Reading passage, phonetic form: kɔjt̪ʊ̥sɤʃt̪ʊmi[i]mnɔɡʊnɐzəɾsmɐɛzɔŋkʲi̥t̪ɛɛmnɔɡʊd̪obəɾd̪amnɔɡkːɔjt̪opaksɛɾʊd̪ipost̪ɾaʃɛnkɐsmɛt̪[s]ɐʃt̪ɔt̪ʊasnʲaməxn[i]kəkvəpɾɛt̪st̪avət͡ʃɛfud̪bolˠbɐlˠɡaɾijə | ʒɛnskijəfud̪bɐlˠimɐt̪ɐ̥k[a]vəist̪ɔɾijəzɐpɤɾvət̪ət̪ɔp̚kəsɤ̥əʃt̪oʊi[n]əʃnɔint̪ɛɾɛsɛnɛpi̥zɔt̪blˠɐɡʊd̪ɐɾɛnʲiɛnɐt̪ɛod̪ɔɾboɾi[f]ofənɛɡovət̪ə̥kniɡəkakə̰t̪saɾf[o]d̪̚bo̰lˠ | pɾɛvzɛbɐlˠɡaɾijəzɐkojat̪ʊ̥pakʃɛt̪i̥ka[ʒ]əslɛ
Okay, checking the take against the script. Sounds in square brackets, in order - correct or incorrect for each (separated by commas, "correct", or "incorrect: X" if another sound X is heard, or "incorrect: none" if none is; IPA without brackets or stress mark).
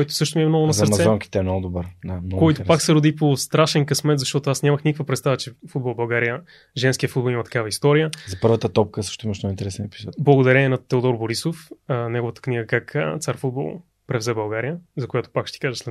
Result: incorrect: ɛ, incorrect: z, correct, correct, incorrect: m, incorrect: s, incorrect: u, correct